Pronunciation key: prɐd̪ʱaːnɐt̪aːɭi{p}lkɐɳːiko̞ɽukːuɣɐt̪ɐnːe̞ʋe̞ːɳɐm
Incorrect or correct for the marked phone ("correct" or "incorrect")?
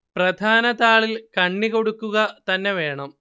incorrect